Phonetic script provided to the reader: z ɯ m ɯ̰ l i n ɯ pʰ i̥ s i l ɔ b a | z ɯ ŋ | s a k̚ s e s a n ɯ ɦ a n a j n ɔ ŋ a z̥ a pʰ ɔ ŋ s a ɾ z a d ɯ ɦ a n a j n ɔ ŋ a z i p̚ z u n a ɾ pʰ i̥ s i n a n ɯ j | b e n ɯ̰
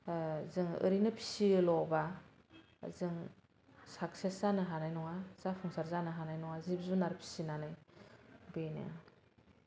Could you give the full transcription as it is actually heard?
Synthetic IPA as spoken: z ɯ ŋ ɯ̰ ɾ i n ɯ pʰ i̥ s i l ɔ b a | z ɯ ŋ | s a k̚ s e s a n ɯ ɦ a n a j n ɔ ŋ a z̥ a pʰ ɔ ŋ s a ɾ z a n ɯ ɦ a n a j n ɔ ŋ a z i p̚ z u n a ɾ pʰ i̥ s i n a n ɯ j | b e n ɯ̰